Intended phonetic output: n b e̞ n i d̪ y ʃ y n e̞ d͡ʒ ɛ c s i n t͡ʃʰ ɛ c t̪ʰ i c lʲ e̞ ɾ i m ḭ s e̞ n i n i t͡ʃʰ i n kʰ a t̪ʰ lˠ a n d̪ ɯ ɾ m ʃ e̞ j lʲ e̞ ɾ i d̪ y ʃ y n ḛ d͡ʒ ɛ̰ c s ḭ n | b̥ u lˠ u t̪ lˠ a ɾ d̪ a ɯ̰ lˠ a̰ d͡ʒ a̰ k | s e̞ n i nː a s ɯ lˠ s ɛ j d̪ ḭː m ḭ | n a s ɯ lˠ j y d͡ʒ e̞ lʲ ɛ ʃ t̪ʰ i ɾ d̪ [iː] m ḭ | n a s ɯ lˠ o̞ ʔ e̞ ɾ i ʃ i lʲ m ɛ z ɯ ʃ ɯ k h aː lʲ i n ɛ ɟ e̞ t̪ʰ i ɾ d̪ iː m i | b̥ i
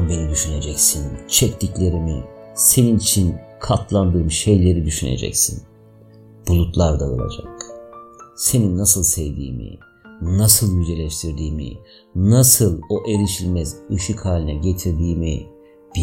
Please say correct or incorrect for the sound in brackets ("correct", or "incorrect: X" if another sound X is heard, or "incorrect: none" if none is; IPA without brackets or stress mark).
correct